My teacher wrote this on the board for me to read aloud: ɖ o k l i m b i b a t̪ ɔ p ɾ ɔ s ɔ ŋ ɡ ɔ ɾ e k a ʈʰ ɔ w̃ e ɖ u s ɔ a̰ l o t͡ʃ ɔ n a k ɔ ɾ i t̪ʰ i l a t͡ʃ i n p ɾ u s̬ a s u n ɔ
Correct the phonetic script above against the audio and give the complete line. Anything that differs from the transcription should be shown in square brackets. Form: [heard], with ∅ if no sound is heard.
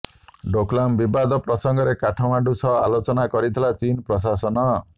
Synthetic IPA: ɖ o k l [a] m b i b a [d̪] ɔ p ɾ ɔ s ɔ ŋ ɡ ɔ ɾ e k a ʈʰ ɔ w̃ [a] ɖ u s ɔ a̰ l o t͡ʃ ɔ n a k ɔ ɾ i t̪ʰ i l a t͡ʃ i n p ɾ [ɔ] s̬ a s [ɔ] n ɔ